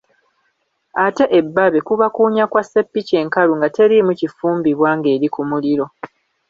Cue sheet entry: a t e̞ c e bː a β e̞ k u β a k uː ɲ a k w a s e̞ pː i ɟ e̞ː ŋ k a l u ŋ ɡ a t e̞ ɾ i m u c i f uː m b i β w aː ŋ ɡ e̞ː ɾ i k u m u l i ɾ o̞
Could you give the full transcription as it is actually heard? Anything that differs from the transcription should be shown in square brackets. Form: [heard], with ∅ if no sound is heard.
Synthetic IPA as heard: a t e̞ [ʔ] e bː a β e̞ k u β a k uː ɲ a k w a s e̞ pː i [c] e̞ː ŋ k a l u ŋ ɡ a t e̞ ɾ i m u c i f uː m b i β w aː ŋ ɡ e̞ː ɾ i k u m u l i ɾ o̞